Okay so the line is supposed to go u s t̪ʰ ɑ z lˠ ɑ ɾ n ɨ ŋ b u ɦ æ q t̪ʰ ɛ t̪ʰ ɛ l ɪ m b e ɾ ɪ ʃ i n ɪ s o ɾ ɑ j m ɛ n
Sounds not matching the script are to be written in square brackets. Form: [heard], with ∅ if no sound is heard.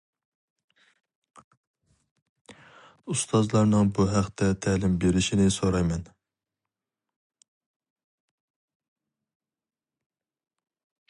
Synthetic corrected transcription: u s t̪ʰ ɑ z lˠ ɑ ɾ n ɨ ŋ b u ɦ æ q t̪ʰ ɛ t̪ʰ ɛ l ɪ m b e ɾ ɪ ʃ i n ɪ s o ɾ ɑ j m ɛ n